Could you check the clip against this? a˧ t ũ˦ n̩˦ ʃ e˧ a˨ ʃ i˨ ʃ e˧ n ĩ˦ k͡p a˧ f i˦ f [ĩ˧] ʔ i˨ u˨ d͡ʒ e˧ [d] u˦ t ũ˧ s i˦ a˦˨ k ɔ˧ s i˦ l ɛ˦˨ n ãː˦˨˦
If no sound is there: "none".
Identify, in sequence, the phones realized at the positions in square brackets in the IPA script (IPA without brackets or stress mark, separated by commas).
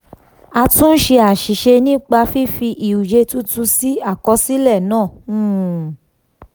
i˧, t